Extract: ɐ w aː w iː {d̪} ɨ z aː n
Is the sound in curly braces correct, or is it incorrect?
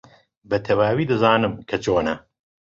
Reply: correct